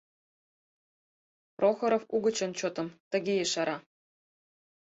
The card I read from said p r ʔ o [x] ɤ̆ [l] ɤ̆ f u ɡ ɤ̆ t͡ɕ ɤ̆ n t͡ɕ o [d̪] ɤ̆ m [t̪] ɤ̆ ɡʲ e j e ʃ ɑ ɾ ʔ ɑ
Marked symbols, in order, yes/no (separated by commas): yes, no, no, yes